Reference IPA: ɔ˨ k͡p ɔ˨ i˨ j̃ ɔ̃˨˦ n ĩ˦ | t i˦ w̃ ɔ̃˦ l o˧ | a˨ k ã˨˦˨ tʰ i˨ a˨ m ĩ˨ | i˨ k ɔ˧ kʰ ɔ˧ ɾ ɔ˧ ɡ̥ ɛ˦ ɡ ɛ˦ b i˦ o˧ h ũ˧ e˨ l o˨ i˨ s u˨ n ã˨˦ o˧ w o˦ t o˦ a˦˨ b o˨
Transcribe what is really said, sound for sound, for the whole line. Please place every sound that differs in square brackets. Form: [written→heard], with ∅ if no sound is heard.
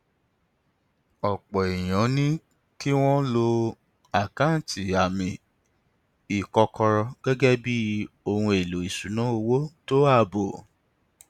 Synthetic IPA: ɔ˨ k͡p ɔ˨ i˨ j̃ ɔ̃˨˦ n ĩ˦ | [t→k] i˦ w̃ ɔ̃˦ l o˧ | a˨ k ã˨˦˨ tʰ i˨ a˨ m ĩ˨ | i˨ k ɔ˧ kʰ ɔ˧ ɾ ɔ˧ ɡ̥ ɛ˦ ɡ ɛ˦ b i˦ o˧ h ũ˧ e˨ l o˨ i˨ s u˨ n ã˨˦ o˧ w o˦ t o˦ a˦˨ b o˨